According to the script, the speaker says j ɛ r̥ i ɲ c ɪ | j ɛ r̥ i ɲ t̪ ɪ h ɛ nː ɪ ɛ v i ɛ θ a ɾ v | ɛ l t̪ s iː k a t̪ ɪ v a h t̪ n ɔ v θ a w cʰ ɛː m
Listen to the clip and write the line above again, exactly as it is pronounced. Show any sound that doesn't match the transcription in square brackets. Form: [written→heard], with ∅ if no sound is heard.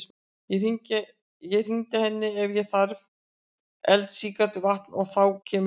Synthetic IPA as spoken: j ɛ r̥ i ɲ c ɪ | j ɛ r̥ i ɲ t̪ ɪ h ɛ nː ɪ ɛ v [i→j] ɛ θ a ɾ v | ɛ l t̪ s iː k a t̪ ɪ v a h t̪ n ɔ [v→ɣ] θ a w cʰ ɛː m